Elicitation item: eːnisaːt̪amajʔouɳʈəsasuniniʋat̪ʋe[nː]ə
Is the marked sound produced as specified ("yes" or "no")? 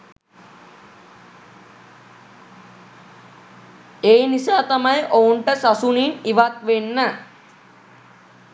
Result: yes